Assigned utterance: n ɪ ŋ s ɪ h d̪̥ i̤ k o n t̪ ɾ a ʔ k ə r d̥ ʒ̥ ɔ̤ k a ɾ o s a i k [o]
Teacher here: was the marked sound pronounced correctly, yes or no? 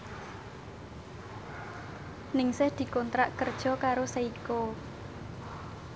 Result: yes